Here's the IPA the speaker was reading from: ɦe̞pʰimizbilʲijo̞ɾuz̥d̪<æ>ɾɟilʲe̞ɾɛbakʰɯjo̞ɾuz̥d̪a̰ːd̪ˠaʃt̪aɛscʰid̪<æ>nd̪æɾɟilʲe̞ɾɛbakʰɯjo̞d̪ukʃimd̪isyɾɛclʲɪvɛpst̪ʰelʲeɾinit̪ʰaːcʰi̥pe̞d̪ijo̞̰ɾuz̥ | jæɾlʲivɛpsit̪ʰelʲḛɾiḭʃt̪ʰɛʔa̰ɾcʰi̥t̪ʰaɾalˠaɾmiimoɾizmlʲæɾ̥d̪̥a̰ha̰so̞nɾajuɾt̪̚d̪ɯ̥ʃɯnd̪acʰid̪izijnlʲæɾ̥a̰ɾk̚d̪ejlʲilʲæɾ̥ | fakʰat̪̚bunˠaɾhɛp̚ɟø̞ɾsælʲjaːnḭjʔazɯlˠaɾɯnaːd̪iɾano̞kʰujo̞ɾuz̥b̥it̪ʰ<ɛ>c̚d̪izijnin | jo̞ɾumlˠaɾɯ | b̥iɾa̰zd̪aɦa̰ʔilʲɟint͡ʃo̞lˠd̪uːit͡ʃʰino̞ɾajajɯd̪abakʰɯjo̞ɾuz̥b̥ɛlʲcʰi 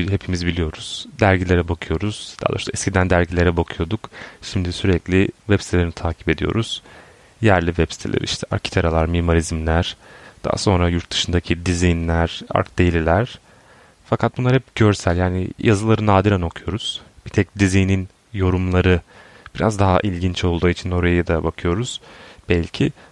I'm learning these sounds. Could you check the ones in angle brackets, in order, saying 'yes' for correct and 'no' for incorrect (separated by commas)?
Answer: yes, yes, yes